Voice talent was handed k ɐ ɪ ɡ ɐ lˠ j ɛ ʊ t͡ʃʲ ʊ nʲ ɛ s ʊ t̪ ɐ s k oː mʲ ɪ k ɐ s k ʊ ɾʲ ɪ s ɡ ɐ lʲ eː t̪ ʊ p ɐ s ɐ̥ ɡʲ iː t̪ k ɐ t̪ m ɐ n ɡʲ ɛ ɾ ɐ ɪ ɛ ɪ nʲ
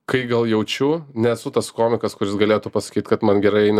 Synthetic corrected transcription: k ɐ ɪ ɡ ɐ lˠ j ɛ ʊ t͡ʃʲ ʊ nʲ ɛ s ʊ t̪ ɐ s k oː mʲ ɪ k ɐ s k ʊ ɾʲ ɪ s ɡ ɐ lʲ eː t̪ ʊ p ɐ s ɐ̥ kʲ iː t̪ k ɐ t̪ m ɐ n ɡʲ ɛ ɾ ɐ ɪ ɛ ɪ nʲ